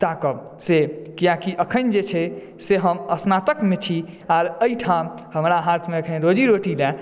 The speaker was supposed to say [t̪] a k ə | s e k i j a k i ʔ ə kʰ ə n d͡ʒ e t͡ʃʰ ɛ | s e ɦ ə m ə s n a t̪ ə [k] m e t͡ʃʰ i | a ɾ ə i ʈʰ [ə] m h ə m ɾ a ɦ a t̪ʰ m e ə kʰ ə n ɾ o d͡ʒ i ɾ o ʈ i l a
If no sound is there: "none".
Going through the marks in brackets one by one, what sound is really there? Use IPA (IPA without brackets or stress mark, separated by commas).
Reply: t̪, k, a